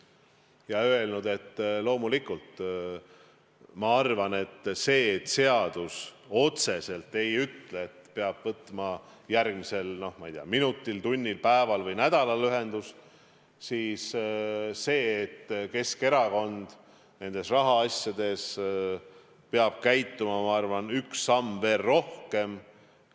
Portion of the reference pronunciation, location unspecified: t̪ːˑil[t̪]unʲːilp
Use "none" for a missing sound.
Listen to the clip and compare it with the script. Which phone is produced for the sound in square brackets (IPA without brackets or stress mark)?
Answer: t̪